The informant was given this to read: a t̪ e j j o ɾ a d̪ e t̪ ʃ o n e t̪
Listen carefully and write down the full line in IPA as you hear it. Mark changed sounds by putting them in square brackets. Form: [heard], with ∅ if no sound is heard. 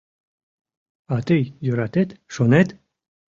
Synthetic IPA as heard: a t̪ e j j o ɾ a [t̪] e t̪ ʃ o n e t̪